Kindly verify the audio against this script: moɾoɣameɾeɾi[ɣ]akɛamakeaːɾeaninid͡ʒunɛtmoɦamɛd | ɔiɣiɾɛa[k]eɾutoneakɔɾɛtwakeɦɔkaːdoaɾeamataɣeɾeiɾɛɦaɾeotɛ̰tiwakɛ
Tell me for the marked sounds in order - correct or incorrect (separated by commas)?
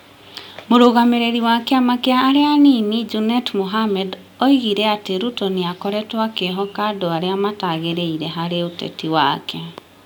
incorrect, incorrect